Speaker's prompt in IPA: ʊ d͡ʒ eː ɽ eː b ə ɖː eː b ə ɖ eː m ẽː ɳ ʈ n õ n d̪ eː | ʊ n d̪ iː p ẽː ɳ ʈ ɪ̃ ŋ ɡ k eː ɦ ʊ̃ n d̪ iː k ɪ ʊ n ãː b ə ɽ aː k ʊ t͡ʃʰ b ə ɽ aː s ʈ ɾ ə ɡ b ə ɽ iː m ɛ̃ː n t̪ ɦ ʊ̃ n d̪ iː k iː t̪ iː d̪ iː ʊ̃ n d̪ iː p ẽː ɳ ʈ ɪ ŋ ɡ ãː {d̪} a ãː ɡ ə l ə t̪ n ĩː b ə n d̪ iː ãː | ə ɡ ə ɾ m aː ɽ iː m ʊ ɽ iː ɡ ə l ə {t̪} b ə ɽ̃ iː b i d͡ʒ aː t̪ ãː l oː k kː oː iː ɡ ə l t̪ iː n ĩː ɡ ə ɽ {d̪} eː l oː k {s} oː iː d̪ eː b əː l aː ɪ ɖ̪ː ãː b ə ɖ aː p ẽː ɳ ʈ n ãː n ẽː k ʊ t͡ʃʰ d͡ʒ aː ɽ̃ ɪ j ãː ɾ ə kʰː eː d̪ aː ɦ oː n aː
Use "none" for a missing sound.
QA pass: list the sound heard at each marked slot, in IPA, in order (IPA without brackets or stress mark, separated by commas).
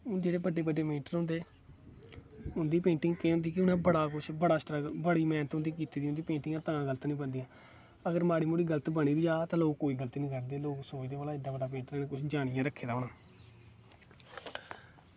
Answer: t̪, t̪, d̪, s